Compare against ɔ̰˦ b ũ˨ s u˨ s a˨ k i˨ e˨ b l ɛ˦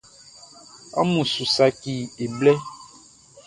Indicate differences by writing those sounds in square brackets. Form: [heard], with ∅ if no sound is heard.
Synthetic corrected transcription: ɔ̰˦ [m] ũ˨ s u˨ s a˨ k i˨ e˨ b l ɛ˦